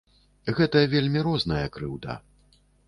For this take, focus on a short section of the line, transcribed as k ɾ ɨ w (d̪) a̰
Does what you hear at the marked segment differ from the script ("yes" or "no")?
no